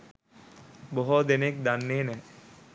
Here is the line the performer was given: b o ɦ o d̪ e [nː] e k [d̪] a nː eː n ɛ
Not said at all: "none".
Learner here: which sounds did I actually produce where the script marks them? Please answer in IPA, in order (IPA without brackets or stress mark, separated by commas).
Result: n, d̪